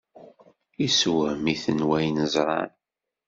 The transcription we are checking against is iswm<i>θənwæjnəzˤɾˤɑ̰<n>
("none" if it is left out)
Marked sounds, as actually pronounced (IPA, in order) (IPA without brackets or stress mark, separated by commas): i, n